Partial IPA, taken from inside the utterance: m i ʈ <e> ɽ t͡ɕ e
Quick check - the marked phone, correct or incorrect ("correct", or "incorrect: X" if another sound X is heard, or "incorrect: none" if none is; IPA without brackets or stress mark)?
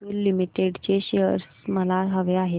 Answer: correct